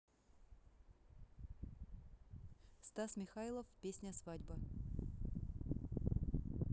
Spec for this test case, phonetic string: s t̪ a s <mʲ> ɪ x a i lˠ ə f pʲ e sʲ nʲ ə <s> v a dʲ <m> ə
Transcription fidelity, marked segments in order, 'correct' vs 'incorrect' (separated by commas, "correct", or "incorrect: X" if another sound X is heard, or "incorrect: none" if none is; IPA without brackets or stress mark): correct, correct, incorrect: b